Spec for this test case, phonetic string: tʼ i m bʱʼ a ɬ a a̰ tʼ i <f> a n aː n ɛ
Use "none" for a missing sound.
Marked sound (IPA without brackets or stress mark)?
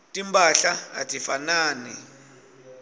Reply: f